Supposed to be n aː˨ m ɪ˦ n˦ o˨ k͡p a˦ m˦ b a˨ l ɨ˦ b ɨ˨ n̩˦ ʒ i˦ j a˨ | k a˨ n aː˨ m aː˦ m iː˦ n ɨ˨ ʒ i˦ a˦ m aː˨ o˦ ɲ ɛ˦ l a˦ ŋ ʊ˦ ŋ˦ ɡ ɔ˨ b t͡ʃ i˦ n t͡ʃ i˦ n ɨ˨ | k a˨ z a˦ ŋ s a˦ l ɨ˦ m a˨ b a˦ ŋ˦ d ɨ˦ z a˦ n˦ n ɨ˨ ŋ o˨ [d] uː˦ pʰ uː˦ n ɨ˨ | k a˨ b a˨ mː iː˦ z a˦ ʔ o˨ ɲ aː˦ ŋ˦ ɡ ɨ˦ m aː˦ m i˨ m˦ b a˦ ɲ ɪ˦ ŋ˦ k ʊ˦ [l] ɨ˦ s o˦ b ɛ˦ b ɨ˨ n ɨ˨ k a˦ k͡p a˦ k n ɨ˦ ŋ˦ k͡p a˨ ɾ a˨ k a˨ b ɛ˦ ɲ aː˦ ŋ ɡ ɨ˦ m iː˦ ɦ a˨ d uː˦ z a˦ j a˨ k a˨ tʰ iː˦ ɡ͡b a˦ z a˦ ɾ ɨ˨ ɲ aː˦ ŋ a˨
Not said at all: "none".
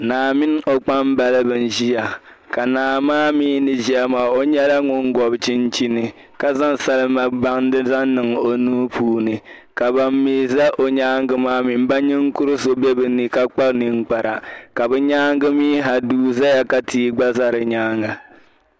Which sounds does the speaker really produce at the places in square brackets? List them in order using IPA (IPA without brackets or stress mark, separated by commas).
n, ɾ